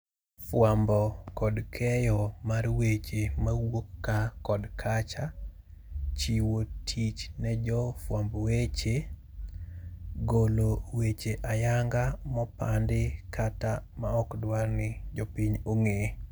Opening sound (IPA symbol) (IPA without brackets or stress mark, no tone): f